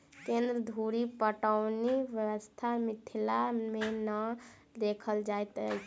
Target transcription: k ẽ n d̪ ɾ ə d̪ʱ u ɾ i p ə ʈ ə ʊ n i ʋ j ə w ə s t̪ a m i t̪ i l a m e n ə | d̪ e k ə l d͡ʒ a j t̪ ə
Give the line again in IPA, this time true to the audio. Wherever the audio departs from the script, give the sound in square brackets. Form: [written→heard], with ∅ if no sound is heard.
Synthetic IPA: k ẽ n d̪ ɾ ə d̪ʱ u ɾ i p ə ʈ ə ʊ n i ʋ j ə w ə s [t̪→t̪ʰ] a m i [t̪→t̪ʰ] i l a m e n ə | d̪ e [k→kʰ] ə l d͡ʒ a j t̪ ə